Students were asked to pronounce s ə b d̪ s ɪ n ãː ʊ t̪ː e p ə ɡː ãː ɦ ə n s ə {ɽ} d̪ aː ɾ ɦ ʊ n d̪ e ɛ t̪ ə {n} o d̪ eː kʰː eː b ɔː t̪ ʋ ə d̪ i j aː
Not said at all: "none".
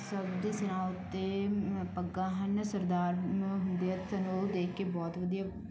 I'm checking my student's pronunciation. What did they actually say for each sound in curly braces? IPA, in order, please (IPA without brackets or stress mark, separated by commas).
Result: ɾ, n